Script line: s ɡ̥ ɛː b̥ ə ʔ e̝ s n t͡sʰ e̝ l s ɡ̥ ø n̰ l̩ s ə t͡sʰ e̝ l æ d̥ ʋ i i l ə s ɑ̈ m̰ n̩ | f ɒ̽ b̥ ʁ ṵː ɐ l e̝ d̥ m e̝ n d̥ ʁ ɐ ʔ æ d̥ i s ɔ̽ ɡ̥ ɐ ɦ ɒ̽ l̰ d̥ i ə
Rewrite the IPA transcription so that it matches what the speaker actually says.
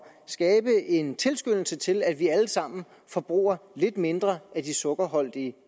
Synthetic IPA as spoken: s ɡ̥ ɛː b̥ ə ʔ e̝ n t͡sʰ e̝ l s ɡ̥ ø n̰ l̩ s ə t͡sʰ e̝ l æ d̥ ʋ i æ l ə s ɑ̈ m̰ n̩ | f ɒ̽ b̥ ʁ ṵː ɐ l e̝ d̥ m e̝ n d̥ ʁ ɐ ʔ æ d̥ i s ɔ̽ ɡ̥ ɐ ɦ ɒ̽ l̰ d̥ i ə